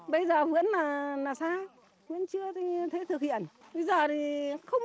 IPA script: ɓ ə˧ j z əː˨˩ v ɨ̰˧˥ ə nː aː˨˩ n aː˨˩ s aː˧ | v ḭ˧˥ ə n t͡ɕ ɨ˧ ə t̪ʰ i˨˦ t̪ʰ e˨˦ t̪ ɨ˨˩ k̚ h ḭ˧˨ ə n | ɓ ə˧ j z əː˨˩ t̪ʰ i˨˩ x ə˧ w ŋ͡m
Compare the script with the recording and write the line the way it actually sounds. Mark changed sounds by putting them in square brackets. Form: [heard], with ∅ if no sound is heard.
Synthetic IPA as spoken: ɓ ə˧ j z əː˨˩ v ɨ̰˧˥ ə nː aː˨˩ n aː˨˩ s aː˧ | v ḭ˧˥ ə n t͡ɕ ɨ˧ ə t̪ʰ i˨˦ t̪ʰ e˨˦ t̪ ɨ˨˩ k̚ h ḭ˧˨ ə n | ɓ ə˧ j z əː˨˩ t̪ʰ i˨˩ x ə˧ w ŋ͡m